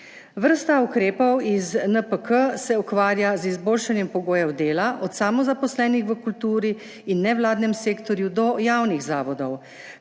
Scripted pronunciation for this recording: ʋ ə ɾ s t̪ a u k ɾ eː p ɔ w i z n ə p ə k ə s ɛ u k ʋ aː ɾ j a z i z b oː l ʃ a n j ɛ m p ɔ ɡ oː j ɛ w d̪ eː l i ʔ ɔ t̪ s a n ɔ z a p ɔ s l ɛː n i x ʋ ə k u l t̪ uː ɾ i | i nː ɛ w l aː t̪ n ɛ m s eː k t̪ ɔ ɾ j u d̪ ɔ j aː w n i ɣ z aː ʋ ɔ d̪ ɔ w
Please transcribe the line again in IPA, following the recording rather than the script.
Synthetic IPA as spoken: ʋ ə ɾ s t̪ a u k ɾ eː p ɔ w i z n ə p ə k ə s ɛ u k ʋ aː ɾ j a z i z b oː l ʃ a n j ɛ m p ɔ ɡ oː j ɛ w d̪ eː l a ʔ ɔ t̪ s a m ɔ z a p ɔ s l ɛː n i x ʋ ə k u l t̪ uː ɾ i | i nː ɛ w l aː d̪ n ɛ m s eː k t̪ ɔ ɾ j u d̪ ɔ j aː w n i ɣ z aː ʋ ɔ d̪ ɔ w